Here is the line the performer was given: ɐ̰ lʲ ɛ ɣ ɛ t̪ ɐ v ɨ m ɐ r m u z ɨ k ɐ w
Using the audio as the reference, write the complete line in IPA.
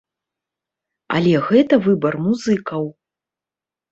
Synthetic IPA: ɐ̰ lʲ ɛ ɣ ɛ t̪ ɐ v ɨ b ɐ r m u z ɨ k ɐ w